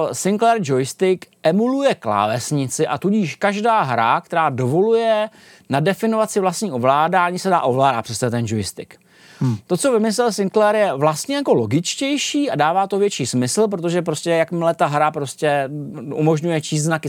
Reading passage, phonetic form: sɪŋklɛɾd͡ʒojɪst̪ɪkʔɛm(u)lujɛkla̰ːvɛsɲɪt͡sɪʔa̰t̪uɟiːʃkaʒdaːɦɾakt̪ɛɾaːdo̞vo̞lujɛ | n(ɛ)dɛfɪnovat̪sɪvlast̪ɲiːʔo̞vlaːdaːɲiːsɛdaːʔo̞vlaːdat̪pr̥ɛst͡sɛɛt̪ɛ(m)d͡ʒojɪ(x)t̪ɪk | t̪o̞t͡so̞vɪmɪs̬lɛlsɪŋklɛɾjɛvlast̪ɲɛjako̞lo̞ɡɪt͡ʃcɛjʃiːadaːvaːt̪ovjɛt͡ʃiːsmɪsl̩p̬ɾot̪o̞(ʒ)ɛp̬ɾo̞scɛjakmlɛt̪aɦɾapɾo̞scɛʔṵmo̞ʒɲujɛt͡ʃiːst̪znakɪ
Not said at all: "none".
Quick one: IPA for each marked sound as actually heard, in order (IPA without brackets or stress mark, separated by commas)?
u, a, n, s, ʒ